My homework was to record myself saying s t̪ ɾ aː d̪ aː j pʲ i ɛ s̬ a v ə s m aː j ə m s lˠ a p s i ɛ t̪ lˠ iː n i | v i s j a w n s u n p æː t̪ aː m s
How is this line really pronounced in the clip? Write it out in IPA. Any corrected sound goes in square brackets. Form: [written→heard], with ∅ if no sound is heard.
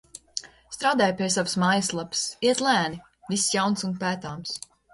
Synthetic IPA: s t̪ ɾ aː d̪ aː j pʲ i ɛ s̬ a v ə s m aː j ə [m→∅] s lˠ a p s i ɛ t̪ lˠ [iː→æː] n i | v i s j a w n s u n p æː t̪ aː m s